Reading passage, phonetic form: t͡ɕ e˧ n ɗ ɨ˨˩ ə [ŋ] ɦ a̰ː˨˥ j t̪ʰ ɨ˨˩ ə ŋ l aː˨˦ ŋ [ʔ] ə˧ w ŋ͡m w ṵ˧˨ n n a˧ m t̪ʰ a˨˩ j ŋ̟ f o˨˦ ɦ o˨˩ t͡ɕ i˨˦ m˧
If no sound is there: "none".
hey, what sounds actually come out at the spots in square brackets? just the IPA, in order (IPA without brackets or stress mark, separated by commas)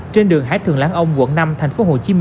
ŋ, ʔ